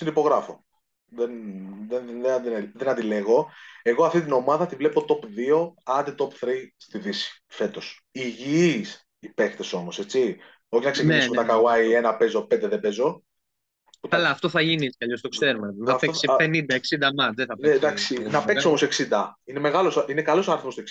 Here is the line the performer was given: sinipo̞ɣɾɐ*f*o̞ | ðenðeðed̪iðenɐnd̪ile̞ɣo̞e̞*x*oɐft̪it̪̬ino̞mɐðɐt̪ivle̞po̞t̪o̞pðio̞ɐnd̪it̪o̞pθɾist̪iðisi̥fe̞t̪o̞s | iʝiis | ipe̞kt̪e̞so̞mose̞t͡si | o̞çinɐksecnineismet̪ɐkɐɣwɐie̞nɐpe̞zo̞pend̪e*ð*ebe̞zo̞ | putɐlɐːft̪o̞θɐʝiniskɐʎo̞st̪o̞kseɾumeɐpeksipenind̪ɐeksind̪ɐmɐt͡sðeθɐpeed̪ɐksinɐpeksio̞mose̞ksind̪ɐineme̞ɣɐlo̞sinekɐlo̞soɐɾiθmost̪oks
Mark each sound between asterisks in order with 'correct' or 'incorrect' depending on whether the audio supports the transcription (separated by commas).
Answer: correct, incorrect, correct